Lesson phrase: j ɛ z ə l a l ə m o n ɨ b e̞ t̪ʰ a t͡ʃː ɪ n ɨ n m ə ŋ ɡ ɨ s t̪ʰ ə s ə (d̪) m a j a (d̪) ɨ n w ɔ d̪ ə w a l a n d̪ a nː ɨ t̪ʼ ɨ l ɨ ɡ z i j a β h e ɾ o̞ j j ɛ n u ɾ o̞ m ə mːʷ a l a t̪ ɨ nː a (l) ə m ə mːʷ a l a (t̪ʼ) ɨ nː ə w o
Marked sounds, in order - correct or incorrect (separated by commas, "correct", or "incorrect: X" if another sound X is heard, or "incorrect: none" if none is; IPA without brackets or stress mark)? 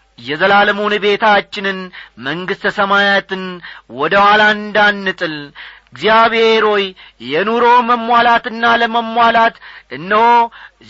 incorrect: none, incorrect: t̪, correct, incorrect: t̪